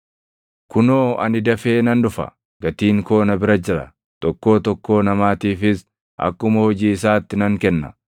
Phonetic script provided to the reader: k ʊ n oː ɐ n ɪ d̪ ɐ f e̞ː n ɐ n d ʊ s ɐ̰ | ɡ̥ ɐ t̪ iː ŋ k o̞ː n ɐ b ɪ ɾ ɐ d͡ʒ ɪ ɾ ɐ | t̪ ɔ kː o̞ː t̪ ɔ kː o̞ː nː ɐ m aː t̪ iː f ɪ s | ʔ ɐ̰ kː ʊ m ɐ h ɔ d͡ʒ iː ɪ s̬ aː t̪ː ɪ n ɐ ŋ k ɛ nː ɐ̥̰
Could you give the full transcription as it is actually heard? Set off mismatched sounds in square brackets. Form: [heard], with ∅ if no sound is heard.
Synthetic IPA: k ʊ n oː ɐ n ɪ d̪ ɐ f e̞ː n ɐ n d ʊ [f] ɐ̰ | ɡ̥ ɐ t̪ iː ŋ k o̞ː n ɐ b ɪ ɾ ɐ d͡ʒ ɪ ɾ ɐ | t̪ ɔ kː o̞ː t̪ ɔ kː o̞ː [n] ɐ m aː t̪ iː f ɪ s | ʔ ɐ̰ kː ʊ m ɐ h ɔ d͡ʒ iː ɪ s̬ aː t̪ː ɪ n ɐ ŋ k ɛ nː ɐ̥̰

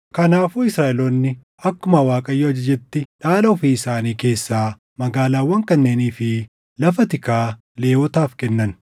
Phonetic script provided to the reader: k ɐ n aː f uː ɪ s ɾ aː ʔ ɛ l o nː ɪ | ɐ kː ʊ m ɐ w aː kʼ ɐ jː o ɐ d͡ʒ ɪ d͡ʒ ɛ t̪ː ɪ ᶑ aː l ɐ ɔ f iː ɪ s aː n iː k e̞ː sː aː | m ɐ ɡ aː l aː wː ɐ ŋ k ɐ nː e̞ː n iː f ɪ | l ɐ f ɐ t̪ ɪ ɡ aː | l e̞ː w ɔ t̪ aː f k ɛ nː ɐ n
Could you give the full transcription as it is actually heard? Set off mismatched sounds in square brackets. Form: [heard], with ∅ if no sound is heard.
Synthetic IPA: k ɐ n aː f uː ɪ s ɾ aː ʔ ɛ l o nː ɪ | ɐ kː ʊ m ɐ w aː kʼ ɐ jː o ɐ d͡ʒ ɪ d͡ʒ ɛ t̪ː ɪ ᶑ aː l ɐ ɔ f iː ɪ s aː n iː k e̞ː sː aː | m ɐ ɡ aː l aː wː ɐ ŋ k ɐ nː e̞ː n iː f ɪ | l ɐ f ɐ t̪ ɪ [k] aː | l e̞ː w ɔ t̪ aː f k ɛ nː ɐ n

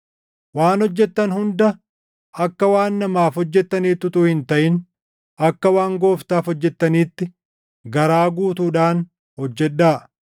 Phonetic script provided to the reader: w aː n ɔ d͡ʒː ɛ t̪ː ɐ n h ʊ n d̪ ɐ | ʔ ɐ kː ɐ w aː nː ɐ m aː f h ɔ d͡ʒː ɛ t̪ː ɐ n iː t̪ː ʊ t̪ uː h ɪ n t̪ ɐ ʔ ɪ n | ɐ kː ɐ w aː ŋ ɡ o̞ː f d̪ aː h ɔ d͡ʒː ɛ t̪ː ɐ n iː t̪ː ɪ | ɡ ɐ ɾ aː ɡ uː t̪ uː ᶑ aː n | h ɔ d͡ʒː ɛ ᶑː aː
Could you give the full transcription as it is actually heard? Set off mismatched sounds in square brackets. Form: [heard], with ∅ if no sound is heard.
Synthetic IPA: w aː n ɔ d͡ʒː ɛ t̪ː ɐ n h ʊ n d̪ ɐ | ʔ ɐ kː ɐ w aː nː ɐ m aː f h ɔ d͡ʒː ɛ t̪ː ɐ n iː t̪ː ʊ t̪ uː h ɪ n t̪ ɐ ʔ ɪ n | ɐ kː ɐ w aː ŋ ɡ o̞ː f [t̪] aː [f] ɔ d͡ʒː ɛ t̪ː ɐ n iː t̪ː ɪ | ɡ ɐ ɾ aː ɡ uː t̪ uː ᶑ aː n | h ɔ d͡ʒː ɛ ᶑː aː

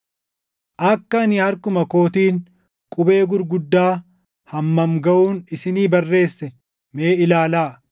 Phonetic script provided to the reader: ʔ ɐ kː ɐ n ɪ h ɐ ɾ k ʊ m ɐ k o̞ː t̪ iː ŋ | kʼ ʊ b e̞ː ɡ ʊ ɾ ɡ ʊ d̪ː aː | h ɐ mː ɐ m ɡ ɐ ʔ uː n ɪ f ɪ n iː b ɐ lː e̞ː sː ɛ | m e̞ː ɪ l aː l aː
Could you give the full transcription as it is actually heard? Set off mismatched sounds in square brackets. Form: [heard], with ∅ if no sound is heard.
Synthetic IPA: ʔ ɐ kː ɐ n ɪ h ɐ ɾ k ʊ m ɐ k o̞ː t̪ iː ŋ | kʼ ʊ b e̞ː ɡ ʊ ɾ ɡ ʊ d̪ː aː | h ɐ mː ɐ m ɡ ɐ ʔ uː n ɪ [s] ɪ n iː b ɐ [rː] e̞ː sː ɛ | m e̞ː ɪ l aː l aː

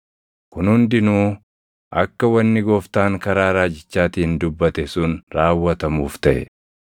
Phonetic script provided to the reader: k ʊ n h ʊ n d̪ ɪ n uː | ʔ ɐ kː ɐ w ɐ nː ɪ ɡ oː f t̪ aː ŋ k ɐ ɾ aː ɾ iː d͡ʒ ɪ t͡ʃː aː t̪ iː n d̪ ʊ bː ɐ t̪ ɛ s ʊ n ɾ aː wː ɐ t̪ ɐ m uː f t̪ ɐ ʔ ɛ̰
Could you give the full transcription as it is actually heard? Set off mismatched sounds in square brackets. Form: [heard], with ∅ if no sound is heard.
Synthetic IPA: k ʊ n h ʊ n d̪ ɪ n uː | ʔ ɐ kː ɐ w ɐ nː ɪ ɡ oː f t̪ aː ŋ k ɐ ɾ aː ɾ [aː] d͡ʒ ɪ t͡ʃː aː t̪ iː n d̪ ʊ bː ɐ t̪ ɛ s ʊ n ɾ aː wː ɐ t̪ ɐ m uː f t̪ ɐ ʔ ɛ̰

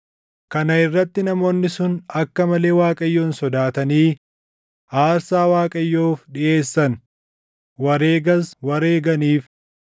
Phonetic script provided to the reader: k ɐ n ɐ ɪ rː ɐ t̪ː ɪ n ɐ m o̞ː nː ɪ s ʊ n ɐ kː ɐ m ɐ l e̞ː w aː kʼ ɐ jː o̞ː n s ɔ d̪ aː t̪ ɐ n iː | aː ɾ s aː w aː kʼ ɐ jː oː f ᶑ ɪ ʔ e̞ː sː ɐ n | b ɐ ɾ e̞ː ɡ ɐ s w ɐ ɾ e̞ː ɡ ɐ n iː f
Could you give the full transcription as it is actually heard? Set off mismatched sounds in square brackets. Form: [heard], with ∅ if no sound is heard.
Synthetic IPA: k ɐ n ɐ ɪ rː ɐ t̪ː ɪ n ɐ m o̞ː nː ɪ s ʊ n ɐ kː ɐ m ɐ l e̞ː w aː kʼ ɐ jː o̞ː n s ɔ d̪ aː t̪ ɐ n iː | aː ɾ s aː w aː kʼ ɐ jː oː f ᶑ ɪ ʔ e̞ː sː ɐ n | [w] ɐ ɾ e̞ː ɡ ɐ s w ɐ ɾ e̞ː ɡ ɐ n iː f

